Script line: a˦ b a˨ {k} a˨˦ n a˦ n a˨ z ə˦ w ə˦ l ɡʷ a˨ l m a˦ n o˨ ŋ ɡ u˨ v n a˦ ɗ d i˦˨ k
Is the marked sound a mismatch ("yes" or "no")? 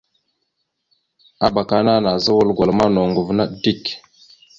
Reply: no